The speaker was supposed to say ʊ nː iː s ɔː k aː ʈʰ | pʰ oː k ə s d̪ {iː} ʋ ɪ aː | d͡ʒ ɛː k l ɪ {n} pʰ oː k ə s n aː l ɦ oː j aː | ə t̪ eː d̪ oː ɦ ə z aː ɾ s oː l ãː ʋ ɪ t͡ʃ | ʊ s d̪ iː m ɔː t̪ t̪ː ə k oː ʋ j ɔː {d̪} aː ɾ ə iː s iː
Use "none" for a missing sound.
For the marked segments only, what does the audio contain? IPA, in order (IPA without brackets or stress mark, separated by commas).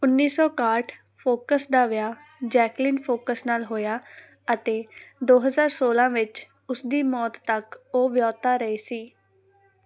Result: aː, n, t̪